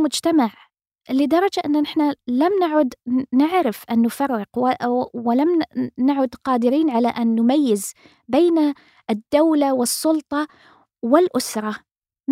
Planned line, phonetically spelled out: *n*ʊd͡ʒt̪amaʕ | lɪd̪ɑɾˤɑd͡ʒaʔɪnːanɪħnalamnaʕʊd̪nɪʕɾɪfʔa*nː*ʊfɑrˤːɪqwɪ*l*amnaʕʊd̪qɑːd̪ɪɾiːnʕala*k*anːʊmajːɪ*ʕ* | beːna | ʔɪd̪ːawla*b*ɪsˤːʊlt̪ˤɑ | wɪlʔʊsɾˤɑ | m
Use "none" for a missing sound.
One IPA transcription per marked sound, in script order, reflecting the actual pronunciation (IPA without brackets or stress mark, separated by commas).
m, nː, l, ʔ, z, w